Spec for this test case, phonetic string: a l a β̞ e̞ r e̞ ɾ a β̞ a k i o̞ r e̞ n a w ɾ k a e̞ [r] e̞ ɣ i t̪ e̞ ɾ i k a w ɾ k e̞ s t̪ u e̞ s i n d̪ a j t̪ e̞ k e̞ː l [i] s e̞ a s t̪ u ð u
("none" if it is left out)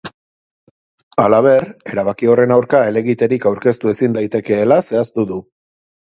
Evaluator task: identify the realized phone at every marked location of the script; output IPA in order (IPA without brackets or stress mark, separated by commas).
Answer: l, a